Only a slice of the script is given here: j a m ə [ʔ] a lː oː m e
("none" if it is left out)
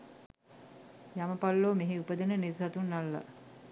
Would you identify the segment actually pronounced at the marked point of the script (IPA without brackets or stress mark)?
p